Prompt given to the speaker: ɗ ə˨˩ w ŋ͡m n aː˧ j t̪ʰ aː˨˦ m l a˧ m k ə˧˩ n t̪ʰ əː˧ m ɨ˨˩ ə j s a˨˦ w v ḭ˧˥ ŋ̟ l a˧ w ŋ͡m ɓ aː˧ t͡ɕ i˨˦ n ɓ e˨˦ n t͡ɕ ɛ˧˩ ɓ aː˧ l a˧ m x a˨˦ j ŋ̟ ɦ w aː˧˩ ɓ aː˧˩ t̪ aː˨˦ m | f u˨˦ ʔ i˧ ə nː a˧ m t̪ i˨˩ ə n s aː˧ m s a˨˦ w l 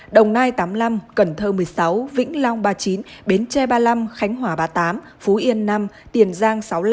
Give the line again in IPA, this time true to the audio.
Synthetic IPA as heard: ɗ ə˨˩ w ŋ͡m n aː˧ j t̪ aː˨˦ m l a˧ m k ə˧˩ n t̪ʰ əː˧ m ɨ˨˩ ə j s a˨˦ w v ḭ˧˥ ŋ̟ l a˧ w ŋ͡m ɓ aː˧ t͡ɕ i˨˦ n ɓ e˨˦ n t͡ɕ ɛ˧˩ ɓ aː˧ l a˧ m x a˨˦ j ŋ̟ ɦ w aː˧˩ ɓ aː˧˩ t̪ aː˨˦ m | f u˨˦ ʔ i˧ ə nː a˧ m t̪ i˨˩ ə n z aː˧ ŋ s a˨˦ w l

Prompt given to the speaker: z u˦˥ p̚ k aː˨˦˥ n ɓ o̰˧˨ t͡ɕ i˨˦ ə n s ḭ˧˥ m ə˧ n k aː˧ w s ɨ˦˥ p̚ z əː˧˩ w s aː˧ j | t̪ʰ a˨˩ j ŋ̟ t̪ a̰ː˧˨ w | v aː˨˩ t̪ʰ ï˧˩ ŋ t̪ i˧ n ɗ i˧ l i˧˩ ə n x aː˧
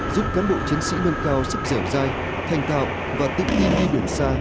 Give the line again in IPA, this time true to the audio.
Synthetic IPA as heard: z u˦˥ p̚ k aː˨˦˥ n ɓ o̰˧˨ t͡ɕ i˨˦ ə n s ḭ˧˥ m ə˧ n k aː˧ w s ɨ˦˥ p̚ z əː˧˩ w z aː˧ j | t̪ʰ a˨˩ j ŋ̟ t̪ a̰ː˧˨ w | v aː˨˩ t̪ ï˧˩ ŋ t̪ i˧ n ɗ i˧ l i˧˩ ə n s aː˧

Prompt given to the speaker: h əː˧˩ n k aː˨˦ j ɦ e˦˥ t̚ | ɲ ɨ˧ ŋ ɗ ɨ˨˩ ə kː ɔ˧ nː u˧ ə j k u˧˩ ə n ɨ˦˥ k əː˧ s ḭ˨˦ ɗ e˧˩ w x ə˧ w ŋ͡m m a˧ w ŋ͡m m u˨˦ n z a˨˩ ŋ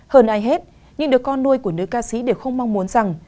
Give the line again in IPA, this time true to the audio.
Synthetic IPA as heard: h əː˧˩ n ʔ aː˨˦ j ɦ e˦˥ t̚ | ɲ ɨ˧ ŋ ɗ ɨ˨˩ ə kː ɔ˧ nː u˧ ə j k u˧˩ ə n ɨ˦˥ k aː˧ s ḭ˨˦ ɗ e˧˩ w x ə˧ w ŋ͡m m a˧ w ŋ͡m m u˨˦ n z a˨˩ ŋ

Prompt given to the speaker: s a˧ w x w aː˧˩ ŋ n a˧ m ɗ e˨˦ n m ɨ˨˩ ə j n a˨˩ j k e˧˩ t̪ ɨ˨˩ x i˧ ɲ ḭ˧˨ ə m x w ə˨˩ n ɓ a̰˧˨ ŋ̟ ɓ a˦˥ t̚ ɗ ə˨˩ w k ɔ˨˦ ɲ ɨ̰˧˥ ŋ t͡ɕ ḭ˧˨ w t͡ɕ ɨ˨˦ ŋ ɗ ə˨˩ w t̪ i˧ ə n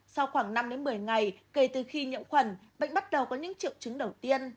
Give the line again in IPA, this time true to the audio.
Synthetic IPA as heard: s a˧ w x w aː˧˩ ŋ n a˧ m ɗ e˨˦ n m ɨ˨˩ ə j ŋ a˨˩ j k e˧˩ t̪ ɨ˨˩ x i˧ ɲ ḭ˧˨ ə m x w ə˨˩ n ɓ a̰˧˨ ŋ̟ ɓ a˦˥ t̚ ɗ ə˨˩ w k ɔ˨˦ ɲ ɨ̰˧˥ ŋ t͡ɕ ḭ˧˨ w t͡ɕ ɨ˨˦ ŋ ɗ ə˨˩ w t̪ i˧ ə n

